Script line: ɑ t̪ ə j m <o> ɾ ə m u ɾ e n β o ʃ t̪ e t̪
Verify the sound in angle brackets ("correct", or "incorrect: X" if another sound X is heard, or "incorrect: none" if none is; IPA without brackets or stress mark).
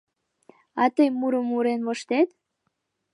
incorrect: u